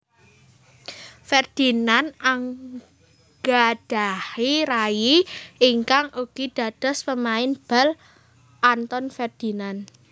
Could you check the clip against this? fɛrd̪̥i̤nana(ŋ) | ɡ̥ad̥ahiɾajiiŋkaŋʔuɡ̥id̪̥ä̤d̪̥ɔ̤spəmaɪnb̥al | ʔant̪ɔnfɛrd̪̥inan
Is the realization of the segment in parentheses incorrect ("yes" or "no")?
no